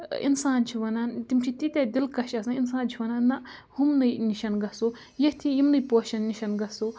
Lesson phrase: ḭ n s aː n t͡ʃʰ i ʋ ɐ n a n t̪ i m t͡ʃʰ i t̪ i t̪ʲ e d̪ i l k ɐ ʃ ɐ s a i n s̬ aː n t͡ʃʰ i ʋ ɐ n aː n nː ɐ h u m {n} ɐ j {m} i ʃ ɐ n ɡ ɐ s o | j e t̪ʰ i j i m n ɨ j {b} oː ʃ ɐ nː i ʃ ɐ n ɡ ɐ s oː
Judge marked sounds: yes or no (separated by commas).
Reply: yes, no, no